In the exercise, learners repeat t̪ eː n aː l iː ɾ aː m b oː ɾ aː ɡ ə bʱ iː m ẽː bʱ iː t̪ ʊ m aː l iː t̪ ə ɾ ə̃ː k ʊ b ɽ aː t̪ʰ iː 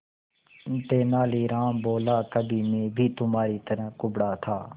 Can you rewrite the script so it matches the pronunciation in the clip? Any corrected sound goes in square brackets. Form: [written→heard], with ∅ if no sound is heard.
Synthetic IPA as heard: t̪ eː n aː l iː ɾ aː m b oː [ɾ→l] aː [ɡ→k] ə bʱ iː m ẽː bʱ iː t̪ ʊ m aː [l→ɾ] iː t̪ ə ɾ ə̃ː k ʊ b ɽ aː t̪ʰ [iː→aː]

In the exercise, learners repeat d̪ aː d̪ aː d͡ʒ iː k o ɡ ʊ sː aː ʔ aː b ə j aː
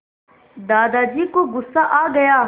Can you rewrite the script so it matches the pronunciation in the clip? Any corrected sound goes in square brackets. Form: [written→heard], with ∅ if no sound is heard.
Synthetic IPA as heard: d̪ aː d̪ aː d͡ʒ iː k o ɡ ʊ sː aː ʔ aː [b→ɡ] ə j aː

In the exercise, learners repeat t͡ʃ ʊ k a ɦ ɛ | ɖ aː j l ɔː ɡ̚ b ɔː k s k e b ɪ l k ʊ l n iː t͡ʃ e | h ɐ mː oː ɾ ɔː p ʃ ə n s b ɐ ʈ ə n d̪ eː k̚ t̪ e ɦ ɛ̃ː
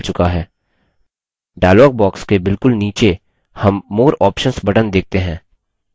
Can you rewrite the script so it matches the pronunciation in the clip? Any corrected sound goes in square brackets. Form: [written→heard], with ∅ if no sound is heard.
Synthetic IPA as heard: t͡ʃ ʊ k a ɦ [ɛ→ɛː] | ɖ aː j l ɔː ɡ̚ b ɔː k s k e b ɪ l k ʊ l n iː t͡ʃ e | h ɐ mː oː ɾ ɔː p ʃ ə n s b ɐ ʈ ə n d̪ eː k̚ t̪ e ɦ ɛ̃ː

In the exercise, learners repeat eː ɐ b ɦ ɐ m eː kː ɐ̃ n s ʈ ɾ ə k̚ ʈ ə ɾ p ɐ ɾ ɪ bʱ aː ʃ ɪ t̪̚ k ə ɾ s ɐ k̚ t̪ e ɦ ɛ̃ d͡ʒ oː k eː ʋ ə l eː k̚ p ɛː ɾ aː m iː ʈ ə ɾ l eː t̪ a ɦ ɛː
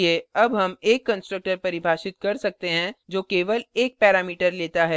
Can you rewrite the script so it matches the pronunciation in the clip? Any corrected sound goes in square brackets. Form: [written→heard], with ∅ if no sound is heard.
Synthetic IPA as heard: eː ɐ b ɦ ɐ m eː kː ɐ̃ n s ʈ ɾ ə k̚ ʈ ə ɾ p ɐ ɾ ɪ bʱ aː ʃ ɪ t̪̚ k [ə→ɐ] ɾ s ɐ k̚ t̪ e ɦ ɛ̃ d͡ʒ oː k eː ʋ ə l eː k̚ p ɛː ɾ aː m iː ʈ ə ɾ l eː t̪ a ɦ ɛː

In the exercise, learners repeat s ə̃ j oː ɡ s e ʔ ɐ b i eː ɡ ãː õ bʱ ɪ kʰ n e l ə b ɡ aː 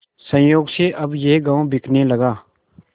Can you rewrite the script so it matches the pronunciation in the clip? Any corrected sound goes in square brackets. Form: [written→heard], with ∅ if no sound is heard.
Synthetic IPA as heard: s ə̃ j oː ɡ s e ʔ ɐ b [i→j] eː ɡ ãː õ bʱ ɪ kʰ n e l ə [b→∅] ɡ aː

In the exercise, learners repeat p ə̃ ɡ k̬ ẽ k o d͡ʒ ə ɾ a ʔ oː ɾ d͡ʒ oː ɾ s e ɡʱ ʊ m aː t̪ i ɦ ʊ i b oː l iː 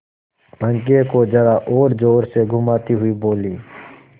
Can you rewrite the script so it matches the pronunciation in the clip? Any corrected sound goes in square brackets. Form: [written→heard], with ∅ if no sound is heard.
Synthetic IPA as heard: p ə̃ [ɡ→ŋ] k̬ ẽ k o d͡ʒ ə ɾ a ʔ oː ɾ d͡ʒ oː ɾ s e ɡʱ ʊ m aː t̪ i ɦ ʊ i b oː l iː

